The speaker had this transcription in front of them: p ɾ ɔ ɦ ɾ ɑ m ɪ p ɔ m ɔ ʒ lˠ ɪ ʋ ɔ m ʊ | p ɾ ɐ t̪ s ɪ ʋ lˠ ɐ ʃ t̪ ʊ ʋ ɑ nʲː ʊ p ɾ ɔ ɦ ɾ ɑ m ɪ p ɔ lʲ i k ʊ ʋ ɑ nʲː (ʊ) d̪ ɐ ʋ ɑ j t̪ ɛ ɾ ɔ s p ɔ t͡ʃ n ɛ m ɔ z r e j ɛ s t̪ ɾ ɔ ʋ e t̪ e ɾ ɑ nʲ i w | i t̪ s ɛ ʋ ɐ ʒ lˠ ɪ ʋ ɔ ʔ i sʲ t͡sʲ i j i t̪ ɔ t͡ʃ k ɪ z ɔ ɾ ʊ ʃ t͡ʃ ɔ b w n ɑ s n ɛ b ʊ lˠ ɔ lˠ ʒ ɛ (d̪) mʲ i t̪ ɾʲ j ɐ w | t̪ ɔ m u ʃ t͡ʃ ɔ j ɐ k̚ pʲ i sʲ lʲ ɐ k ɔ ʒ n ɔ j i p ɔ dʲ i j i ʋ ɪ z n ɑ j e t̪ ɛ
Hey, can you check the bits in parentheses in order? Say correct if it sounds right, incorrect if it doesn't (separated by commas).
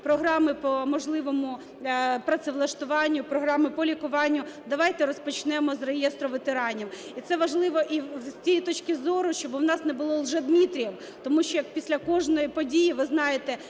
correct, correct